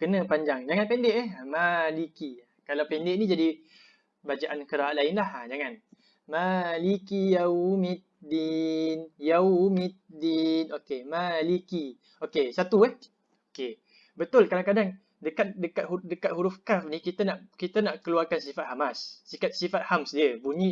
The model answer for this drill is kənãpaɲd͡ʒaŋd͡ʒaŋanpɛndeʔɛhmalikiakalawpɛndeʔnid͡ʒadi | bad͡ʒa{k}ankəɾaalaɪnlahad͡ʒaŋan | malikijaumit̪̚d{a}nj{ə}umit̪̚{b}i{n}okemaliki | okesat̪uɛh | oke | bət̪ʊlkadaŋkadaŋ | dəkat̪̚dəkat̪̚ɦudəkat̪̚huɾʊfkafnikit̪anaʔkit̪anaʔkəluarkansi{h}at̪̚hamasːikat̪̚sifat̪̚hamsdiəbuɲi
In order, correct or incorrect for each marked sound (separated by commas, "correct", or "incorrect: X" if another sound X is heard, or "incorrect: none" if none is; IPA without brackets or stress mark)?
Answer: incorrect: ʔ, incorrect: i, incorrect: a, incorrect: d, correct, incorrect: f